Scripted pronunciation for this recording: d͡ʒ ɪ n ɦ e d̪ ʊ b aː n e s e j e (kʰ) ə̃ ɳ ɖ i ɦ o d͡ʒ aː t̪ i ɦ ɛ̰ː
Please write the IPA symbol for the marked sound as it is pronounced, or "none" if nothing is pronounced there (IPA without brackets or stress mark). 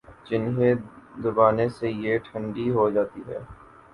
ʈʰ